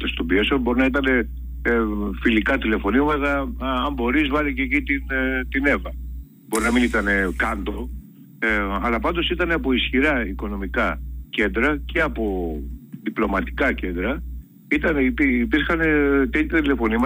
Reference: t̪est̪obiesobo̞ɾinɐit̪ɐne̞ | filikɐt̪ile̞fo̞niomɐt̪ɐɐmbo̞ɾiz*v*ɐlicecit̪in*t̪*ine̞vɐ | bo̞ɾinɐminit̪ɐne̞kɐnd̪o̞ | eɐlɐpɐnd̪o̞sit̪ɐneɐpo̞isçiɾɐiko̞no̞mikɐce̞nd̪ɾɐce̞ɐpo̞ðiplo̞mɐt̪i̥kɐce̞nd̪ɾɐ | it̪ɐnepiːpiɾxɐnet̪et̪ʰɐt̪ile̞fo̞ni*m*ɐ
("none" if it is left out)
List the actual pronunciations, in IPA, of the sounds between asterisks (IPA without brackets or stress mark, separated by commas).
v, t̪, m